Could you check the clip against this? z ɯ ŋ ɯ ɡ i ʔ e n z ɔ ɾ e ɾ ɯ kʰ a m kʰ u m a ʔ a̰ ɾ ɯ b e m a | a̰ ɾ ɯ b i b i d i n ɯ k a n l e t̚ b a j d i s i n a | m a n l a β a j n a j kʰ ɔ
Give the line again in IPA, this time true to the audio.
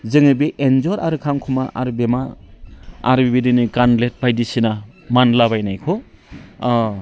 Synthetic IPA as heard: z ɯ ŋ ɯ b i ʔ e n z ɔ ɾ a ɾ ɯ kʰ a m kʰ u m a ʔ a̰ ɾ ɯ b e m a | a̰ ɾ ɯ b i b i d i n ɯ k a n l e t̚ b a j d i s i n a | m a n l a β a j n a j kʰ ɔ

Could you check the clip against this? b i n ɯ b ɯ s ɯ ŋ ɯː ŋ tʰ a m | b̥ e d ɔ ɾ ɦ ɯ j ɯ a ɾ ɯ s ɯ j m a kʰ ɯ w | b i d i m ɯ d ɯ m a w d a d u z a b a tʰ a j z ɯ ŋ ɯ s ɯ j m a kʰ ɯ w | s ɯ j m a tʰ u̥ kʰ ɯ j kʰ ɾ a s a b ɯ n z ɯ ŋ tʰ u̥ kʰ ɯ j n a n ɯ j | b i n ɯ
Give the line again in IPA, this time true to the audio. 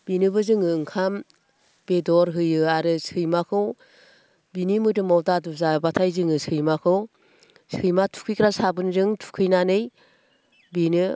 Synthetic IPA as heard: b i n ɯ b ɯ z ɯ ŋ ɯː ŋ kʰ a m | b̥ e d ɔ ɾ ɦ ɯ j ɯ a ɾ ɯ s ɯ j m a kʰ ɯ w | b i n i m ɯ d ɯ m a w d a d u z a b a tʰ a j z ɯ ŋ ɯ s ɯ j m a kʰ ɯ w | s ɯ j m a tʰ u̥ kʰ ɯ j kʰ ɾ a s a b ɯ n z ɯ ŋ tʰ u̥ kʰ ɯ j n a n ɯ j | b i n ɯ

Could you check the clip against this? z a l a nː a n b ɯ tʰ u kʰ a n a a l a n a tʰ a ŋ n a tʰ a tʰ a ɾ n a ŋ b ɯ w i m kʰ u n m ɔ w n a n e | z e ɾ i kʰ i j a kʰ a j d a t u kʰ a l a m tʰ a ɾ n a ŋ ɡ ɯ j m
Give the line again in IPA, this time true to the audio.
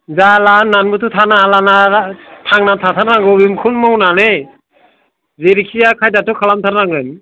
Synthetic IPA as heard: z a l a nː a n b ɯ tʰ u tʰ a n a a l a n a tʰ a ŋ n a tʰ a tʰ a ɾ n a ŋ ɡ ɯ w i m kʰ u n m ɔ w n a n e | z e ɾ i kʰ i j a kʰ a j d a t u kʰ a l a m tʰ a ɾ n a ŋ ɡ ɯ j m

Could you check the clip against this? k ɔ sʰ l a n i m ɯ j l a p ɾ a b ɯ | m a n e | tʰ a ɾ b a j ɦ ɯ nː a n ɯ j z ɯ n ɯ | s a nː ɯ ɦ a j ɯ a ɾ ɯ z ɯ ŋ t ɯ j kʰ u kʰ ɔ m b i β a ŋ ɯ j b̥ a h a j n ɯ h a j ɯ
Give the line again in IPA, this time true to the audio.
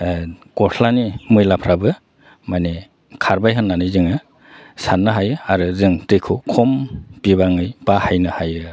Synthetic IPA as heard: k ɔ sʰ l a n i m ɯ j l a pʰ ɾ a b ɯ | m a n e | kʰ a ɾ b a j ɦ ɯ nː a n ɯ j z ɯ ŋ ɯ | s a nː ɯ ɦ a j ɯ a ɾ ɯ z ɯ ŋ t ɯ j kʰ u kʰ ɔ m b i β a ŋ ɯ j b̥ a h a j n ɯ h a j ɯ

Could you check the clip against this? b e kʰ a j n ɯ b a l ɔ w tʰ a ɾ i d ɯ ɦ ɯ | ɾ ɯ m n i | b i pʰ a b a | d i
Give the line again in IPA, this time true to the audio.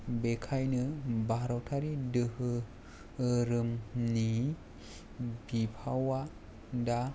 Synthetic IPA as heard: b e kʰ a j n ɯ b a ɾ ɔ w tʰ a ɾ i d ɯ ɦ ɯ | ɾ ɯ m n i | b i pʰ a w a | d a

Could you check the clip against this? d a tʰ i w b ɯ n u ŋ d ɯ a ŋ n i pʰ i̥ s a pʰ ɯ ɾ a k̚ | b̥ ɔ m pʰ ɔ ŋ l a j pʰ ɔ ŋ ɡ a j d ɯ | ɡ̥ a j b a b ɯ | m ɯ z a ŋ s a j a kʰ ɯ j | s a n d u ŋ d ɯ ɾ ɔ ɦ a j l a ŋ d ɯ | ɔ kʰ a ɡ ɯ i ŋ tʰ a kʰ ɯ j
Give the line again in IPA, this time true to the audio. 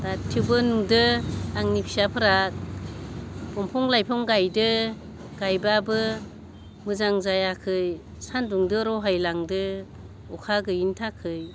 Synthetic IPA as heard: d a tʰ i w b ɯ n u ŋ d ɯ a ŋ n i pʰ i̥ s a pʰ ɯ ɾ a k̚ | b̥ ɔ m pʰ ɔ ŋ l a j pʰ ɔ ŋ ɡ a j d ɯ | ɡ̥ a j b a b ɯ | m ɯ z a ŋ z a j a kʰ ɯ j | s a n d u ŋ d ɯ ɾ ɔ ɦ a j l a ŋ d ɯ | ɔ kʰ a ɡ ɯ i n tʰ a kʰ ɯ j

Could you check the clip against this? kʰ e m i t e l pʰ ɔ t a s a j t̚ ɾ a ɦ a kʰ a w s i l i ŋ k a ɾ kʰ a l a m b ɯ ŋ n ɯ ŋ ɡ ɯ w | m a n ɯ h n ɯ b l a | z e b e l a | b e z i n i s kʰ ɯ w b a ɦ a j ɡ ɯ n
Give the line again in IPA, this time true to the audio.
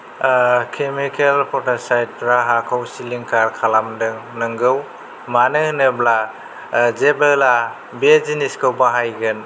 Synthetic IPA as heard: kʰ e m i k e l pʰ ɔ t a s a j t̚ ɾ a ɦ a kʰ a w s i l i ŋ k a ɾ kʰ a l a m d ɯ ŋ n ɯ ŋ ɡ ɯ w | m a n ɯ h n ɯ b l a | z e b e l a | b e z i n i s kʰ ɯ w b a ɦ a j ɡ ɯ n

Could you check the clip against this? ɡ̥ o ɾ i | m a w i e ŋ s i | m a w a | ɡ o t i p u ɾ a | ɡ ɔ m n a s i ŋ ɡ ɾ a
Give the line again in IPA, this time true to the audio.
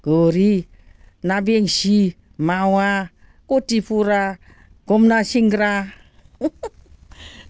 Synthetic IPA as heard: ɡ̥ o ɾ i | n a b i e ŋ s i | m a w a | k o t i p u ɾ a | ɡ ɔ m n a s i ŋ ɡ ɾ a

